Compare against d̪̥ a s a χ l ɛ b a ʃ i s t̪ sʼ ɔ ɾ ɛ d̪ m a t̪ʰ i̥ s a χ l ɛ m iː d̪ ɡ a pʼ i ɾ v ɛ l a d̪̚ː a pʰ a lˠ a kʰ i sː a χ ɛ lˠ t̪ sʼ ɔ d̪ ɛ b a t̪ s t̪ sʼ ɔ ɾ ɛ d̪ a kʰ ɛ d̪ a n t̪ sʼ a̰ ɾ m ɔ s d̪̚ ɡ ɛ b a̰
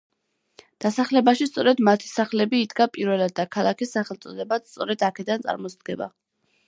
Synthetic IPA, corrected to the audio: d̪̥ a s a χ l ɛ b a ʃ i s t̪ sʼ ɔ ɾ ɛ d̪ m a t̪ʰ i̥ s a χ l ɛ b iː d̪ ɡ a pʼ i ɾ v ɛ l a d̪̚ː a kʰ a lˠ a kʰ i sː a χ ɛ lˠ t̪ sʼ ɔ d̪ ɛ b a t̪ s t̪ sʼ ɔ ɾ ɛ d̪ a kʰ ɛ d̪ a n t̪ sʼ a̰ ɾ m ɔ s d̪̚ ɡ ɛ b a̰